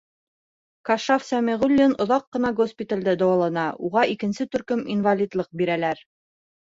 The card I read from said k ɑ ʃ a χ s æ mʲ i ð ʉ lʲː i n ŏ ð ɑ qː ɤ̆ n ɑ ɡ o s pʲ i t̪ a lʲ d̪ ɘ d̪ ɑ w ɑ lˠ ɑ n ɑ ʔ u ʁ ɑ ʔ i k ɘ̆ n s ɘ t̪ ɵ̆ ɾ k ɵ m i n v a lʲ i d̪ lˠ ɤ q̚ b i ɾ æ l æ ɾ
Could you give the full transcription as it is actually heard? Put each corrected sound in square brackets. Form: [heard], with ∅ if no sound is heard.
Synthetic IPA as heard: k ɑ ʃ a [f] s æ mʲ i [ʁ] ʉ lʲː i n ŏ ð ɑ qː ɤ̆ n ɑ ɡ o s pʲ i t̪ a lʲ d̪ ɘ d̪ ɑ w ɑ lˠ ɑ n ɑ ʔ u ʁ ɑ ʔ i k ɘ̆ n s ɘ t̪ ɵ̆ ɾ k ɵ m i n v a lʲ i d̪ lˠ ɤ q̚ b i ɾ æ l æ ɾ